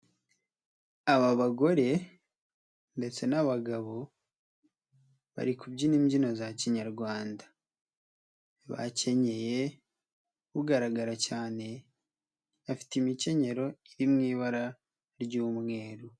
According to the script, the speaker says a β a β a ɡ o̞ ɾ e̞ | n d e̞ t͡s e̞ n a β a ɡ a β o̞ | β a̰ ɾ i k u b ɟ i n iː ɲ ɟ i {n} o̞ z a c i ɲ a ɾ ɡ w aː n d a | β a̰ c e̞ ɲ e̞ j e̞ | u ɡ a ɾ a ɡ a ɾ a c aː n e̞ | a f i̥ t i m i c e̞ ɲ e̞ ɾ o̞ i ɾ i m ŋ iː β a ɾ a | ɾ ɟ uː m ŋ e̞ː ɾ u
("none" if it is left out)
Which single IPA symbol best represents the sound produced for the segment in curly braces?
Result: n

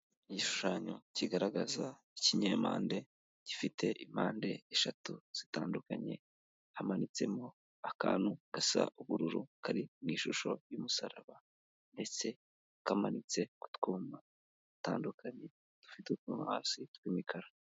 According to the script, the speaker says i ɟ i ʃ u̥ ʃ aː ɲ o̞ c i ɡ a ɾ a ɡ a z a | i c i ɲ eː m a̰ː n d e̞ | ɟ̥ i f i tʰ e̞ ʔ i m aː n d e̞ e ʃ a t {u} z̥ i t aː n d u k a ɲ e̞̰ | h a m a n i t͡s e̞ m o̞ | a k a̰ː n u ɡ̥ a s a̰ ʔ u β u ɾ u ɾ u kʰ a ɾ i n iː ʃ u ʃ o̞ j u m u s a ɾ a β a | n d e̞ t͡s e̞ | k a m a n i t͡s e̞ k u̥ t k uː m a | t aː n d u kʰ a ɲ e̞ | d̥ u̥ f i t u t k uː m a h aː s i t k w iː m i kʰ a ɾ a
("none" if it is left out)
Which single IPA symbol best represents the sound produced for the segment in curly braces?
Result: u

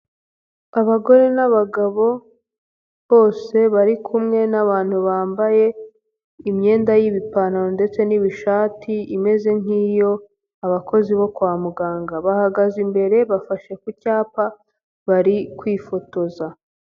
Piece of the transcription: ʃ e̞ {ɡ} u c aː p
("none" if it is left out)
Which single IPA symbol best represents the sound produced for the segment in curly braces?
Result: k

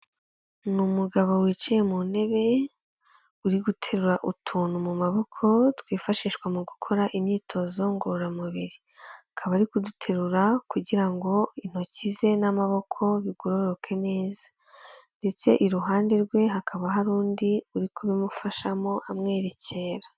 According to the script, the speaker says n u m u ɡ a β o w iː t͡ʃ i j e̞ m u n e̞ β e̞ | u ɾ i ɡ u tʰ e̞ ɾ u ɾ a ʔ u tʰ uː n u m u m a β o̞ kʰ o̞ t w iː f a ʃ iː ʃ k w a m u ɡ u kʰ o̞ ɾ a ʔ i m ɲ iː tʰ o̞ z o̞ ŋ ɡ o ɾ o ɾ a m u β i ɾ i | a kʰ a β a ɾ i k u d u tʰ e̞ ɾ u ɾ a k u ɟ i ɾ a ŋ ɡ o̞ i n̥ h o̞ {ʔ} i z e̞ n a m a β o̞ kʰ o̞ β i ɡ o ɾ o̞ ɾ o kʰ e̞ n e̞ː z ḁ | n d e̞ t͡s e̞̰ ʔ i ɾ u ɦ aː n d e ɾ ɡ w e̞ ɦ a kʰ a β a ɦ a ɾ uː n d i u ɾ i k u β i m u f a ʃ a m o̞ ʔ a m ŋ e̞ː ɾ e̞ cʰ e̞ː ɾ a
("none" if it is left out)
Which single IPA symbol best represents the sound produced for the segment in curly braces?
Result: c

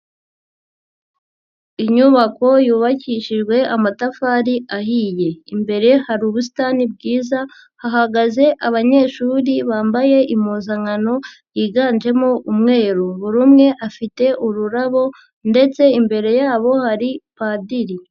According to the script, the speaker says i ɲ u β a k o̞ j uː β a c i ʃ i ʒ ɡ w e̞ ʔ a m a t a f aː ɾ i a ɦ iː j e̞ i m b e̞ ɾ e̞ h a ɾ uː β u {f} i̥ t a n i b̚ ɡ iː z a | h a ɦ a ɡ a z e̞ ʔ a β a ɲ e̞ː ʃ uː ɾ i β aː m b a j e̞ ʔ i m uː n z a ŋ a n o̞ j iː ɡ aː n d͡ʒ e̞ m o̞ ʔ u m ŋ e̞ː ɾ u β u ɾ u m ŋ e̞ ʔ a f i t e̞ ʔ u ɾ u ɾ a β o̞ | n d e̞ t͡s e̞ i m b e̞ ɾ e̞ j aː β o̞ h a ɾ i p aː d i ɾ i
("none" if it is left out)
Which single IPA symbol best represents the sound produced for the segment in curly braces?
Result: s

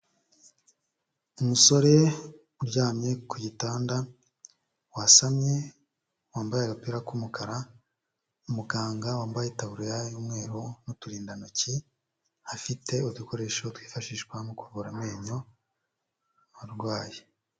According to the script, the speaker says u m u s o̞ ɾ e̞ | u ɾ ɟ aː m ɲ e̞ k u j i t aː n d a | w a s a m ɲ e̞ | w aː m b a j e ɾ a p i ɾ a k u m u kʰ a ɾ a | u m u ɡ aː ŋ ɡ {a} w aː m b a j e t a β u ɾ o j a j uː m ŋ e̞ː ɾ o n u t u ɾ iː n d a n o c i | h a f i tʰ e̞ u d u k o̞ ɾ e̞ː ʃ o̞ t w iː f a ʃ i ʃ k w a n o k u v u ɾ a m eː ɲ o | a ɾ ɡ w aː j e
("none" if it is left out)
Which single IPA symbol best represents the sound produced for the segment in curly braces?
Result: a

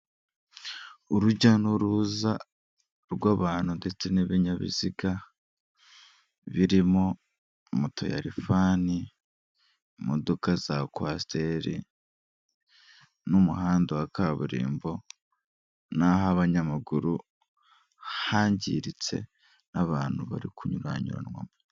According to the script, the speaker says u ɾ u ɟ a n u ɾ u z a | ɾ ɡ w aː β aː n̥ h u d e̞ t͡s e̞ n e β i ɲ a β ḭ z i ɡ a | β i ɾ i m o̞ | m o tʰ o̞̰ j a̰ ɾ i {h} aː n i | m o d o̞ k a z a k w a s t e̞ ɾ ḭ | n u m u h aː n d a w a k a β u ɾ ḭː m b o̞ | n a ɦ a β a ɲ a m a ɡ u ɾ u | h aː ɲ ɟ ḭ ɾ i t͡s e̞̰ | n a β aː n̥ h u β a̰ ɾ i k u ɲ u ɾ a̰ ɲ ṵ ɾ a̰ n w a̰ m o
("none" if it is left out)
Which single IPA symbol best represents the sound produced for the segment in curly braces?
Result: f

